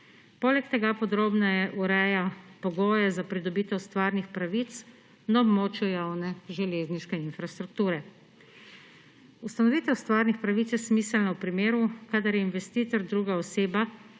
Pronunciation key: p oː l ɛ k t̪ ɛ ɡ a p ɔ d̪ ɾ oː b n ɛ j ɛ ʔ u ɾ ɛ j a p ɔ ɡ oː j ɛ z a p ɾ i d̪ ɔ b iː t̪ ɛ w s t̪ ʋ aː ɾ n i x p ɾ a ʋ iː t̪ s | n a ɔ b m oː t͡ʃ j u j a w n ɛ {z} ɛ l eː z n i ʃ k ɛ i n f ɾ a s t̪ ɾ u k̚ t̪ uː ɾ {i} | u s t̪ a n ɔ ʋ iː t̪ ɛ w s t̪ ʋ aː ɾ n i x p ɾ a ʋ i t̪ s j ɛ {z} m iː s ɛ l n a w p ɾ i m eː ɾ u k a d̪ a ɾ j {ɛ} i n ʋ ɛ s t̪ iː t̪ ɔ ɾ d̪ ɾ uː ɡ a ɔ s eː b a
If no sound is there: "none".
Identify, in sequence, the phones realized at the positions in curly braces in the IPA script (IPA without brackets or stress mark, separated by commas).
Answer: ʒ, ɛ, s, ɛ